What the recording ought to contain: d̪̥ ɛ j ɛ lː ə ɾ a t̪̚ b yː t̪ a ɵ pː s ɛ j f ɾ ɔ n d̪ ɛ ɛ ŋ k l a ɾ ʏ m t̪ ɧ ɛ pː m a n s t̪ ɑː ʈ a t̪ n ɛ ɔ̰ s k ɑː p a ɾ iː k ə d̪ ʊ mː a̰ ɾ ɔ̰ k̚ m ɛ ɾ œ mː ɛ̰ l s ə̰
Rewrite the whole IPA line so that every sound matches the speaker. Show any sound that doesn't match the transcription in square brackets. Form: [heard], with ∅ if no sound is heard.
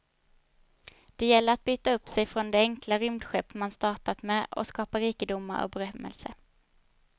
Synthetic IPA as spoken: d̪̥ ɛ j ɛ lː ə ɾ a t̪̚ b yː t̪ a ɵ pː s ɛ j f ɾ ɔ n d̪ ɛ ɛ ŋ k l a ɾ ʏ m [d̪] ɧ ɛ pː m a n s t̪ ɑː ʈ a t̪ [m] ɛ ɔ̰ s k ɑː p a ɾ iː k ə d̪ ʊ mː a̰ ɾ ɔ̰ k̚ [b] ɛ ɾ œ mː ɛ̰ l s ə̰